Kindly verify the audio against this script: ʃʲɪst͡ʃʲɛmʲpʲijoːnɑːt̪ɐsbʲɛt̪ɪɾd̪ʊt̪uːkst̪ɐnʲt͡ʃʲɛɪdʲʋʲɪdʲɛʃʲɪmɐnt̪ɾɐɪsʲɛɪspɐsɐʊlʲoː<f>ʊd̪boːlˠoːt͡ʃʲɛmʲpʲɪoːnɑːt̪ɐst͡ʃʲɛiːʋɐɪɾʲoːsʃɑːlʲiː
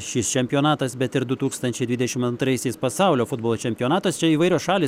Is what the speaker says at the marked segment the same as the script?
yes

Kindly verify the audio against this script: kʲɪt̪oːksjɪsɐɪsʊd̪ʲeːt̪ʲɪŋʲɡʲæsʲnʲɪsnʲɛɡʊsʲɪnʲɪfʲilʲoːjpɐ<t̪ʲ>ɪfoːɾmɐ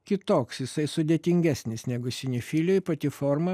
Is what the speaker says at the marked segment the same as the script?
yes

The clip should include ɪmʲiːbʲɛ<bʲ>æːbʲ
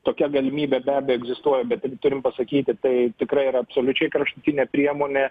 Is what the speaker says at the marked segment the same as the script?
yes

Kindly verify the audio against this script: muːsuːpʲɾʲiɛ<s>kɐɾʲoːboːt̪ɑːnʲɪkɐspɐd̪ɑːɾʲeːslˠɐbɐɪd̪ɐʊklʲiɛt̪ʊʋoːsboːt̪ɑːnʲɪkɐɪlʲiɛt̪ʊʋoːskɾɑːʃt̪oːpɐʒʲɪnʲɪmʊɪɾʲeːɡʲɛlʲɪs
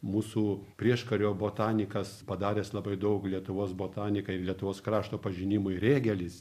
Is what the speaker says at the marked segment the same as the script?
no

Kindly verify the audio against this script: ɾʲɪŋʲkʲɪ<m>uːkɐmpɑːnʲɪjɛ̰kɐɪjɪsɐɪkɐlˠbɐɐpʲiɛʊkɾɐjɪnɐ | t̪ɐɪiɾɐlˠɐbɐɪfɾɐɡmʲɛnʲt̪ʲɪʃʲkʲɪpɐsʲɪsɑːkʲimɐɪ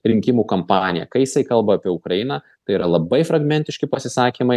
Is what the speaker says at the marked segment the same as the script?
yes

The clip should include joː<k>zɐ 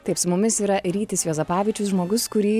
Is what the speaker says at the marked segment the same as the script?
no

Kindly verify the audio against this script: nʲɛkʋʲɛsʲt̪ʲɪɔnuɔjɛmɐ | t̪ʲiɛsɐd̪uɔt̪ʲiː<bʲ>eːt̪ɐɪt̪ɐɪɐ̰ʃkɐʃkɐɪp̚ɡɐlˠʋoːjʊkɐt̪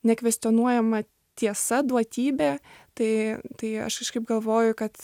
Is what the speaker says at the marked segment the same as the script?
yes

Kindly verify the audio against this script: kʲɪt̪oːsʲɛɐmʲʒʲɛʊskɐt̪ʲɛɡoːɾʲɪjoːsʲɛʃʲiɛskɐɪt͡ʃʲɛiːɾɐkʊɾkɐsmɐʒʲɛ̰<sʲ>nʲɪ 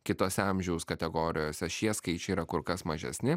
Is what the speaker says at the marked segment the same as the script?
yes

